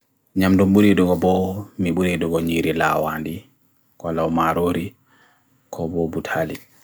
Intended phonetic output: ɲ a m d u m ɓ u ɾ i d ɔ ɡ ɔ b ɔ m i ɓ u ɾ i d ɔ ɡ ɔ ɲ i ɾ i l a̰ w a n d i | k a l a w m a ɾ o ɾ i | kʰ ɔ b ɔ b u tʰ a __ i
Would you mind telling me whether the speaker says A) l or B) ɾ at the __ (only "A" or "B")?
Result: A